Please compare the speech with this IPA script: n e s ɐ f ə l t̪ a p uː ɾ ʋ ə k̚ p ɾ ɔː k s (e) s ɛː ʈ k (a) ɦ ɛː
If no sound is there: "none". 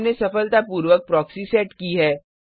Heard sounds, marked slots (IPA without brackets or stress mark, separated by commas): i, i